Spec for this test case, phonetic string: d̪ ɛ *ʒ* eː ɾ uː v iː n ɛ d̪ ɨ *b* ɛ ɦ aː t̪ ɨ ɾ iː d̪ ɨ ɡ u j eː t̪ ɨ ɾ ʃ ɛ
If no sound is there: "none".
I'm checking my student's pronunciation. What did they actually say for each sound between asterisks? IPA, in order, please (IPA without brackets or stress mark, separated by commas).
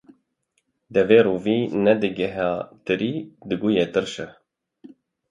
v, ɡ